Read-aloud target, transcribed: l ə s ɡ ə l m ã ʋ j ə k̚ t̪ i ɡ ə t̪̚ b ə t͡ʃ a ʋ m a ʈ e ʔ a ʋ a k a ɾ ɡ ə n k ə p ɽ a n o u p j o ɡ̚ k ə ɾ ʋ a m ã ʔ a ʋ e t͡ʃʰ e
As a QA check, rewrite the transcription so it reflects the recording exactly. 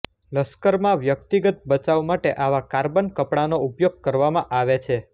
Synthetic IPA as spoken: l ə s k ə ɾ m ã ʋ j ə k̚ t̪ i ɡ ə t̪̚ b ə t͡ʃ a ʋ m a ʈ e ʔ a ʋ a k a ɾ b ə n k ə p ɽ a n o u p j o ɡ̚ k ə ɾ ʋ a m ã ʔ a ʋ e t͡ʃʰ e